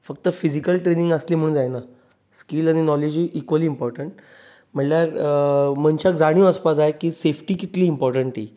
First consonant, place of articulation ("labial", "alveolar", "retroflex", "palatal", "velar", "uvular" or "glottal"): labial